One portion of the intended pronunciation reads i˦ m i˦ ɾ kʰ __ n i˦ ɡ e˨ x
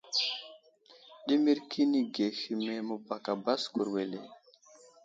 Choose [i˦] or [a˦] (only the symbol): i˦